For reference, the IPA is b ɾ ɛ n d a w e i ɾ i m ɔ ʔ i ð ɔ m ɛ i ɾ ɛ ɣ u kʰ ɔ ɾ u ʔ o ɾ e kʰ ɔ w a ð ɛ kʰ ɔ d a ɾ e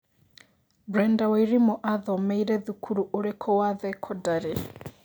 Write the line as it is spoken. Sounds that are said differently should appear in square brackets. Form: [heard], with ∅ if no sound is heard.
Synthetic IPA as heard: b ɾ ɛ n d a w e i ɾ i m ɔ ʔ [a] ð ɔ m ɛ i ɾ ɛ [ð] u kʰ [u] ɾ u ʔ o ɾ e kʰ ɔ w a ð ɛ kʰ ɔ d a ɾ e